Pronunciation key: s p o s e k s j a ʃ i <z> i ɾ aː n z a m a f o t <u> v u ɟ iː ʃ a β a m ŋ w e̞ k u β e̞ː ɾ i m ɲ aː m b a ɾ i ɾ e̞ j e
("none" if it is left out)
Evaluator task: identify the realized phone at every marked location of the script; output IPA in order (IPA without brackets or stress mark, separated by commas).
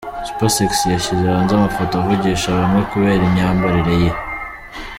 z, o